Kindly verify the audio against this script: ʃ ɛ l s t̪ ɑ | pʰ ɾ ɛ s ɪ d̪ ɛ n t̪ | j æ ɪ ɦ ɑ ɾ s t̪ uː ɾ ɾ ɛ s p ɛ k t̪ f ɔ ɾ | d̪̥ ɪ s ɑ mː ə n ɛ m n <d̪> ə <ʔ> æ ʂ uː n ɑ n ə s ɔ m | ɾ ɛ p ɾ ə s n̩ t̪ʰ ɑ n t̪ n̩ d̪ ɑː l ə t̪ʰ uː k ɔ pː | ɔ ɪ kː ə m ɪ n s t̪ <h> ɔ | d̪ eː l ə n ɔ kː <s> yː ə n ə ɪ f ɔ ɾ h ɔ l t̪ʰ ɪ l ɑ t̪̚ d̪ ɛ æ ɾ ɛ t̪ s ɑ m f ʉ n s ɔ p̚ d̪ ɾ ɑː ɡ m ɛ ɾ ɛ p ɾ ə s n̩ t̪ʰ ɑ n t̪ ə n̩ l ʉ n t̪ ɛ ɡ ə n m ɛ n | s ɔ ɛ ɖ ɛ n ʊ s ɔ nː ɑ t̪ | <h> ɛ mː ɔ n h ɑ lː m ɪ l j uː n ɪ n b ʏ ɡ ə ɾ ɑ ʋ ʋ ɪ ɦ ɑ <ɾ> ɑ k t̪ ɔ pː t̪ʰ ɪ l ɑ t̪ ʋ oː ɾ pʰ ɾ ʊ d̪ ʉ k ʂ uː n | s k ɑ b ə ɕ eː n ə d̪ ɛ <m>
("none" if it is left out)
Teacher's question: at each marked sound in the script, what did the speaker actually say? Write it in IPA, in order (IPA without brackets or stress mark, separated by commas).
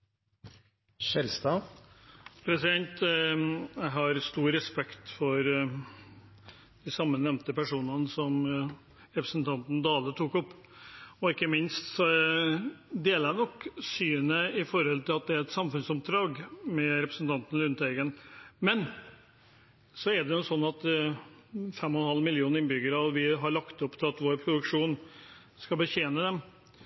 t̪, p, s, s, f, ɭ, m